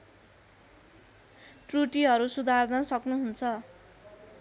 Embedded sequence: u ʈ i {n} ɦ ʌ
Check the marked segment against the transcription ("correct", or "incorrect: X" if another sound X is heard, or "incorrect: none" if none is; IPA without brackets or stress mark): incorrect: none